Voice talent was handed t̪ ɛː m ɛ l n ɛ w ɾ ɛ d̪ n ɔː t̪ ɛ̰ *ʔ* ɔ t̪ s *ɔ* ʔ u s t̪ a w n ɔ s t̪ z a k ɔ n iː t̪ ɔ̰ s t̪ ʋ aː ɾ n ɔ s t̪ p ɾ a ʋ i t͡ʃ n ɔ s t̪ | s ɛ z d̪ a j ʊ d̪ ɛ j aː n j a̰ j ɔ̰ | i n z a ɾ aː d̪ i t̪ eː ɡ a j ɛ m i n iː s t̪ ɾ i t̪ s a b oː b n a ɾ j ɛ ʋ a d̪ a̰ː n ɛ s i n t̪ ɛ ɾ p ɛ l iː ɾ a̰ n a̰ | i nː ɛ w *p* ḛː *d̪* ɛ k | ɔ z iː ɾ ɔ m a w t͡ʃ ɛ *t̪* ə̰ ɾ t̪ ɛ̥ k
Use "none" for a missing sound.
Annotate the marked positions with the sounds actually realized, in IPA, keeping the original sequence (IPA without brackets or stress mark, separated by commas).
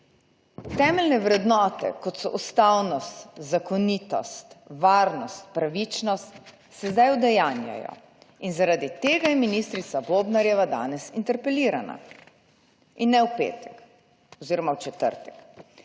k, ɔ, p, t̪, t̪